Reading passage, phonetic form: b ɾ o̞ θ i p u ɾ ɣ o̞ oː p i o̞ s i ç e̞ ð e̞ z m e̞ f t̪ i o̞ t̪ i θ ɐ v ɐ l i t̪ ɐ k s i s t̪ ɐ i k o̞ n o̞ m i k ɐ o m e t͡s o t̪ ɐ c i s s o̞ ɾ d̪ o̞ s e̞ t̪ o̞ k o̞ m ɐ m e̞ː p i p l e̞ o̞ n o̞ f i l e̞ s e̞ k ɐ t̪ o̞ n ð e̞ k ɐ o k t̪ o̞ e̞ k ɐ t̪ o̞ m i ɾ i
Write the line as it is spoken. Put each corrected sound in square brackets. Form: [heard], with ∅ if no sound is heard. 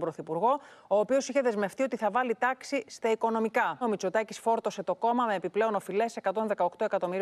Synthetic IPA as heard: b ɾ o̞ θ i p u ɾ ɣ o̞ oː p i o̞ s i ç e̞ ð e̞ z m e̞ f t̪ i o̞ t̪ i θ ɐ v ɐ l i t̪ ɐ k s i s t̪ ɐ i k o̞ n o̞ m i k ɐ o m [i] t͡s o t̪ ɐ c i s [f] o̞ ɾ [t̪] o̞ s e̞ t̪ o̞ k o̞ m ɐ m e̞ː p i p l e̞ o̞ n o̞ f i l e̞ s e̞ k ɐ t̪ o̞ n ð e̞ k ɐ o k t̪ o̞ e̞ k ɐ t̪ o̞ m i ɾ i